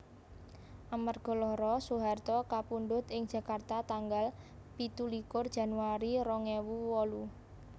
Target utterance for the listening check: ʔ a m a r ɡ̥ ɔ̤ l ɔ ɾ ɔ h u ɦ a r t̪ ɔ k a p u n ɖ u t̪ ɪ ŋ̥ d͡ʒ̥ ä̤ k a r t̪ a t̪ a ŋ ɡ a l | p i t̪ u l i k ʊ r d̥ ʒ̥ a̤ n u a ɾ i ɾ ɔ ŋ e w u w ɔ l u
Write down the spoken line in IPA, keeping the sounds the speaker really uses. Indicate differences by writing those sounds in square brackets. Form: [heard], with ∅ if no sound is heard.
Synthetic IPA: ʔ a m a r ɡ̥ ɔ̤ l ɔ ɾ ɔ [s] u ɦ a r t̪ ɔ k a p u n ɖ [ʊ] t̪ ɪ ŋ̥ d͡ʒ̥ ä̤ k a r t̪ a t̪ a ŋ ɡ a l | p i t̪ u l i k ʊ r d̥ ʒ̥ a̤ n u a ɾ i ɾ ɔ ŋ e w u w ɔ l u